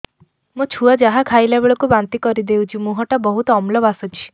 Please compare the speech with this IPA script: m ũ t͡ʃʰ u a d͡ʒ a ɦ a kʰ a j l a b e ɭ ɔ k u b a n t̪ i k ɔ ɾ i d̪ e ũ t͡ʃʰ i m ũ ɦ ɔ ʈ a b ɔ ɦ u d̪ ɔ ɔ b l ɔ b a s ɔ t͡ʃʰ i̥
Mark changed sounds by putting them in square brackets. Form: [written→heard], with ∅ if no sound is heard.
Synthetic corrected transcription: m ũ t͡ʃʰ u a d͡ʒ a ɦ a kʰ a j l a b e ɭ ɔ k u b a n t̪ i k ɔ ɾ i d̪ e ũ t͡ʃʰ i m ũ ɦ ɔ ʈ a b ɔ ɦ u [d̪→t̪] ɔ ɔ [b→m] l ɔ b a s ɔ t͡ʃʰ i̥